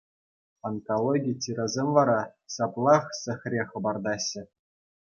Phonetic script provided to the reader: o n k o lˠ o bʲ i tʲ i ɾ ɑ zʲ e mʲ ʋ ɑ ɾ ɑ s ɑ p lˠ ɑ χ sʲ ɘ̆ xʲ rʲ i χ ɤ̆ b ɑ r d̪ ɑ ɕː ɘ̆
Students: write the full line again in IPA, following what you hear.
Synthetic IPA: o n k o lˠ o ɡʲ i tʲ i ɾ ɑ zʲ e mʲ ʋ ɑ ɾ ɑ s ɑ p lˠ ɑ χ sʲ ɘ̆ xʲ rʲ e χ ɤ̆ b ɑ r d̪ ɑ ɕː ɘ̆